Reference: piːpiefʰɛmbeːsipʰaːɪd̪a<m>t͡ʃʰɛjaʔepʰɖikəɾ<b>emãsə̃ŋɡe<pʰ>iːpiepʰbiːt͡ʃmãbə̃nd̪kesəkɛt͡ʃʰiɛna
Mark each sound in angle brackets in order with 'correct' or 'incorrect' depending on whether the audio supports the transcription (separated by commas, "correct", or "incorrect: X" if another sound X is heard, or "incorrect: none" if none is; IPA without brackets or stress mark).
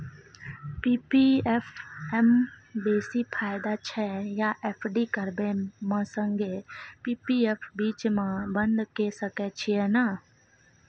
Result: incorrect: none, correct, incorrect: p